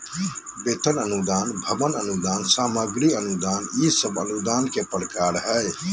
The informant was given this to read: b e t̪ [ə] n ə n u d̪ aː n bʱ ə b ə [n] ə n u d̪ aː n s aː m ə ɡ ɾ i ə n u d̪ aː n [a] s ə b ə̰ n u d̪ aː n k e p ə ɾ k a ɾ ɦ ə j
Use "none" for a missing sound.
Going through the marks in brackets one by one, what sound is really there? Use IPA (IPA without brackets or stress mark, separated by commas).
ə, n, i